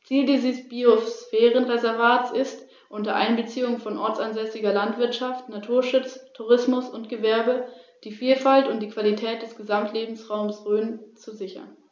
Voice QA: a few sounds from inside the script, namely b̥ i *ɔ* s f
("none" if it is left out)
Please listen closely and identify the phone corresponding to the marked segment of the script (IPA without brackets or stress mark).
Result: o